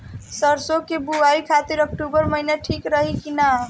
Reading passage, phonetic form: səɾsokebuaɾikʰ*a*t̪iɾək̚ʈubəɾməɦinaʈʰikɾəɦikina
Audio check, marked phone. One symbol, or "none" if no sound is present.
a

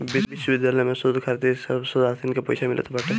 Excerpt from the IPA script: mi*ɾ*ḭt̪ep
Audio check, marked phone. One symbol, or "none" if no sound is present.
l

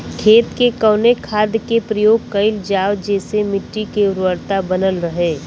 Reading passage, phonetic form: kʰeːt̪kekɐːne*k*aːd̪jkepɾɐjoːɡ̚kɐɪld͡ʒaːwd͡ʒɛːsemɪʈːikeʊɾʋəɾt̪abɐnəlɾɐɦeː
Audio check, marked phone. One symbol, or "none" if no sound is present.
kʰ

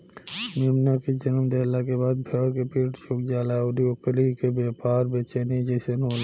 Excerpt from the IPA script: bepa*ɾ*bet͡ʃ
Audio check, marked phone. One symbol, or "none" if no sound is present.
ɾ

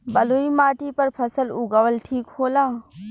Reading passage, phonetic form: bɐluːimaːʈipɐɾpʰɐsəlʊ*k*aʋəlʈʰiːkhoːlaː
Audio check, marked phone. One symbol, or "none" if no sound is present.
ɡ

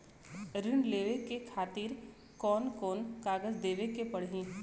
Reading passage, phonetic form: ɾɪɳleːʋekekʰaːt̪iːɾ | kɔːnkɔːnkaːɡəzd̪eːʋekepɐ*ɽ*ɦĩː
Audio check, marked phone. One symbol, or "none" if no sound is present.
ɽ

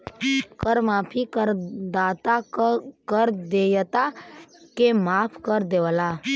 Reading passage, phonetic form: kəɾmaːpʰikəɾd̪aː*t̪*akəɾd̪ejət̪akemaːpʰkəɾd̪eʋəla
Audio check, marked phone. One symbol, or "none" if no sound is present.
t̪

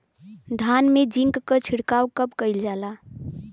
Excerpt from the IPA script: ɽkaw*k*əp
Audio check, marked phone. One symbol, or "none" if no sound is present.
k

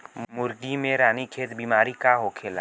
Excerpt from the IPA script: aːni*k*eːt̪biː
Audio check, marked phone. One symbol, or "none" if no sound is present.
kʰ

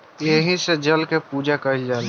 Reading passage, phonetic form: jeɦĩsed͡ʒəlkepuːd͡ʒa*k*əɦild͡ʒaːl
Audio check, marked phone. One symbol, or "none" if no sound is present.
k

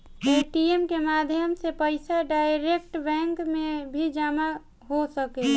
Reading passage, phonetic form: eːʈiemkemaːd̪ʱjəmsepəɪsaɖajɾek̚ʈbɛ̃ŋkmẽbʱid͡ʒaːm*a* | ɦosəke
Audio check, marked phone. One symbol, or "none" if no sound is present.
a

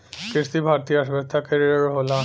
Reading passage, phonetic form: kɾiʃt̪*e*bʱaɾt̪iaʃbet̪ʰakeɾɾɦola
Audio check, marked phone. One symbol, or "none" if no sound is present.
i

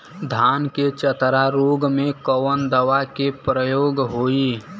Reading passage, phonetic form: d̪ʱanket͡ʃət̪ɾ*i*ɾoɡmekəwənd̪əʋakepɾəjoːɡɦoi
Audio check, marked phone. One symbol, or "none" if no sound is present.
a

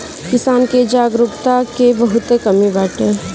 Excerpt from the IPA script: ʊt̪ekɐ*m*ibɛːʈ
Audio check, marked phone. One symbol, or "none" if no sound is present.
m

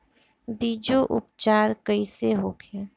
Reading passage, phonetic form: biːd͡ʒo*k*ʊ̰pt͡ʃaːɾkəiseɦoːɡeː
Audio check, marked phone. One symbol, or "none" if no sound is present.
ʔ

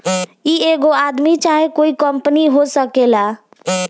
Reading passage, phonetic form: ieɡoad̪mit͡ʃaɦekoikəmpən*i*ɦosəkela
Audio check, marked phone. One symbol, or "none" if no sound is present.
i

